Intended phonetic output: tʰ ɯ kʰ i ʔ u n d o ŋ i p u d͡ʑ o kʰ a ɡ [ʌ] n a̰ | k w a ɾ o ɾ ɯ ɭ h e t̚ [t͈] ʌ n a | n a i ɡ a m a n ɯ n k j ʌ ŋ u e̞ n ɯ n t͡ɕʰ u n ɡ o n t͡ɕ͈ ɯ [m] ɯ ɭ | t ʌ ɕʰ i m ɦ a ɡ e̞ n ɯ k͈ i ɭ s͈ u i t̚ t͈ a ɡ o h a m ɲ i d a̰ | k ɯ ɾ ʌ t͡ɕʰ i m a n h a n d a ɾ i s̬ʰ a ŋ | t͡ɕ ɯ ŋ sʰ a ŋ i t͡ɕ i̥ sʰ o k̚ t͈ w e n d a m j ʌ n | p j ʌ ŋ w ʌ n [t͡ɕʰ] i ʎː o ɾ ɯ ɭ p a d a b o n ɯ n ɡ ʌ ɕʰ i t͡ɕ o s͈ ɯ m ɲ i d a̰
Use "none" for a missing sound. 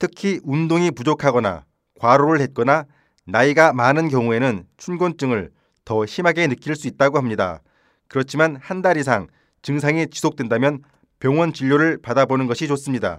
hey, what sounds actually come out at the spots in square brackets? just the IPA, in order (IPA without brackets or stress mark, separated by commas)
ʌ, k͈, ŋ, t͡ɕ